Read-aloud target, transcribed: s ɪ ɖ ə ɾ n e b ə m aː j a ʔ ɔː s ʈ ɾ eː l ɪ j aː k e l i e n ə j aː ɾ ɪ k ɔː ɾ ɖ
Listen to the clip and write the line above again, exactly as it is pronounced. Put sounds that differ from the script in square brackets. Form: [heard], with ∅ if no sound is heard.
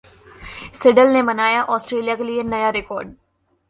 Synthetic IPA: s ɪ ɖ ə [l] n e [m] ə [n] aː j a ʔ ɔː s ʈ ɾ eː l [i] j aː k e l i e n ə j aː ɾ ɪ k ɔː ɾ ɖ

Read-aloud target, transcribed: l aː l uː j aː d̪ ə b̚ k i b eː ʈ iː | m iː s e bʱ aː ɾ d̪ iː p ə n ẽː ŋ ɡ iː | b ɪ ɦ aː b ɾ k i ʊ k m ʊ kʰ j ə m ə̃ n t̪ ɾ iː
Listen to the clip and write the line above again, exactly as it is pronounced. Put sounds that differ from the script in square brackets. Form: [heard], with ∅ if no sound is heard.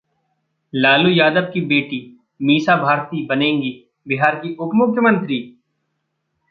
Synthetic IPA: l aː l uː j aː d̪ ə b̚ k i b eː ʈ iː | m iː s [a] bʱ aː ɾ [t̪] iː [b] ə n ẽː ŋ ɡ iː | b ɪ ɦ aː [∅] ɾ k i ʊ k m ʊ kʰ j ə m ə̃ n t̪ ɾ iː

